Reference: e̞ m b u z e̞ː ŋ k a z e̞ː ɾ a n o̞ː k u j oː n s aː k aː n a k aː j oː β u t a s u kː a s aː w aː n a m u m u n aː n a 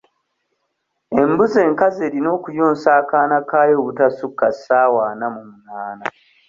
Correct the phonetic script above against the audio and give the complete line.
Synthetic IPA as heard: e̞ m b u z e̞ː ŋ k a z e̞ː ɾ i n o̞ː k u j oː n s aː k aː n a k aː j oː β u t a s u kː a s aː w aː n a m u m u n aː n a

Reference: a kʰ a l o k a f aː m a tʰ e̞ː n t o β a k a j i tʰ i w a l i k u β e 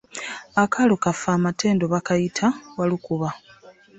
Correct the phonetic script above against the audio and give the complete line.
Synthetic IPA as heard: a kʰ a l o k a f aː m a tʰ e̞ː n d o β a k a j i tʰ a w a l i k u β a

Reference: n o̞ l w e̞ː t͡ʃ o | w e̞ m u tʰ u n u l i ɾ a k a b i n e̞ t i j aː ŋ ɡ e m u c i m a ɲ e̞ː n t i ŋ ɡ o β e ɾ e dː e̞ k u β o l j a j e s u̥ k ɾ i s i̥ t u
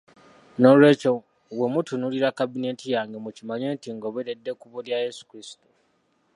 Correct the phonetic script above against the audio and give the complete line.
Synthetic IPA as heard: n o̞ l w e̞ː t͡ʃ o | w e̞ m u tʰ u n u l i ɾ a k a b i n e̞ t i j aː ŋ ɡ e m u c i m a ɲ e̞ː n t i ŋ ɡ o β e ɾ e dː e̞ k u β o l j a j e s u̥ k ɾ i s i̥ t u

